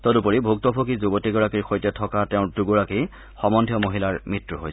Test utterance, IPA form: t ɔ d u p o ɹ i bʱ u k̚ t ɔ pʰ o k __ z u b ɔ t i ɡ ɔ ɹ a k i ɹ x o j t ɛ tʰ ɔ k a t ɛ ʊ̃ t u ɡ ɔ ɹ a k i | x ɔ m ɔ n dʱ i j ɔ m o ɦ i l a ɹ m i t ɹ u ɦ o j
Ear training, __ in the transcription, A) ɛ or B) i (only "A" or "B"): B